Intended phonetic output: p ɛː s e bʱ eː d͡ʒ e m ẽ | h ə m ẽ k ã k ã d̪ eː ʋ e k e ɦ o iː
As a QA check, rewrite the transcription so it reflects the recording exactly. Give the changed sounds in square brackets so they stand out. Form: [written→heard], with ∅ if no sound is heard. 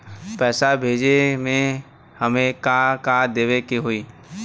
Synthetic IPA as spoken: p ɛː s [e→a] bʱ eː d͡ʒ e m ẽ | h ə m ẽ k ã k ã d̪ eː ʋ e k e ɦ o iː